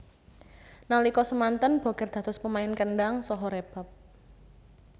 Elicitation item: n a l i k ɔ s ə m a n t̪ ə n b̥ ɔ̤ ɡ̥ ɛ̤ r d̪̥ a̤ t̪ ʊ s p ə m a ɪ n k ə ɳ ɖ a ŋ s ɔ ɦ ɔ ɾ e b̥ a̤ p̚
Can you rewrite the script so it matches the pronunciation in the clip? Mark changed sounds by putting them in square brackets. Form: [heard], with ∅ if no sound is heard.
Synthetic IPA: n a l i k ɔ s ə m a n t̪ ə n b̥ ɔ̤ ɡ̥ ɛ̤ r d̪̥ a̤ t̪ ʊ s p ə m a ɪ n k ə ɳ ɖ a ŋ s ɔ ɦ ɔ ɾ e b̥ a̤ p̚

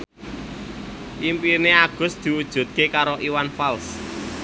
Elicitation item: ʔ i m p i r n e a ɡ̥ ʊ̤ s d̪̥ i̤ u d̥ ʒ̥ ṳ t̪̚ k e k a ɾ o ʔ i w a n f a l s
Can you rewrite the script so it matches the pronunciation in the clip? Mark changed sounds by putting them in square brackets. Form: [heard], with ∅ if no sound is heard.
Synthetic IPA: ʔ i m p i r n e a ɡ̥ ʊ̤ s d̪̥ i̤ u d̥ ʒ̥ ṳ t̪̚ k e k a ɾ o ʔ i w a n f a l s

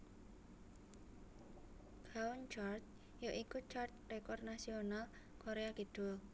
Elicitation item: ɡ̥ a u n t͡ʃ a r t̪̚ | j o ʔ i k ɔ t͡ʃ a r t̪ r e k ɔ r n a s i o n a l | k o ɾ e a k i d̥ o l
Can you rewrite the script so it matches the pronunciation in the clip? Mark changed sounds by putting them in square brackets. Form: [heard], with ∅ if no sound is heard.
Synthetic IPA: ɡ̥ a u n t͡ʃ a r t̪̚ | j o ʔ i k [u] t͡ʃ a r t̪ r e k ɔ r n a s i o n a l | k o ɾ e a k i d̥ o l

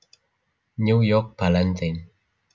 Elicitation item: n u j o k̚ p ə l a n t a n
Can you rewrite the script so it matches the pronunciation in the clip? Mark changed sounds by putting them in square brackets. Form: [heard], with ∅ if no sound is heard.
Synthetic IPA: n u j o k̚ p [a] l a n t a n

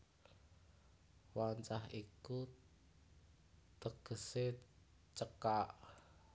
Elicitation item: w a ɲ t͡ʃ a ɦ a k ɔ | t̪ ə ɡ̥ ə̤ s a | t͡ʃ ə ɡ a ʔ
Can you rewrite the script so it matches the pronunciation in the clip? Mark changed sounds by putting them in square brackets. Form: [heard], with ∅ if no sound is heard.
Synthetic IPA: w a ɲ t͡ʃ a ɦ [i] k [u] | t̪ ə ɡ̥ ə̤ s [e] | t͡ʃ ə [k] a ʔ

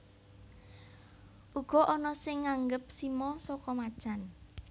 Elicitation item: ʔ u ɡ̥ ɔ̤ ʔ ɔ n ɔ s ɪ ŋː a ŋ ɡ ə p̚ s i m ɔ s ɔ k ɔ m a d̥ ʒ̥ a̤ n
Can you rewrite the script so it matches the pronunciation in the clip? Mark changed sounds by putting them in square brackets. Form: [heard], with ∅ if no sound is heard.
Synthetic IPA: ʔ u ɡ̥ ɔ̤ ʔ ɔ n ɔ s ɪ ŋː a ŋ ɡ ə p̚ s i m ɔ s ɔ k ɔ m a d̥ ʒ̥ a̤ n

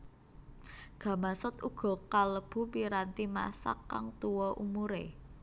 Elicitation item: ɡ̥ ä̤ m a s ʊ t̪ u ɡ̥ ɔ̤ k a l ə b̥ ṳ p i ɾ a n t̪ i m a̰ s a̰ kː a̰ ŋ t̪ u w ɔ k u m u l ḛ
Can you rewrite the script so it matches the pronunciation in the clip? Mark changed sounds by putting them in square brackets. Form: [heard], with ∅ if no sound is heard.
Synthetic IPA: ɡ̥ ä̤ m a s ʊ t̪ u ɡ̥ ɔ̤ k a l ə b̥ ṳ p i ɾ a n t̪ i m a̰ s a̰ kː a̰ ŋ t̪ u w ɔ [ʔ] u m u [ɾ] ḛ

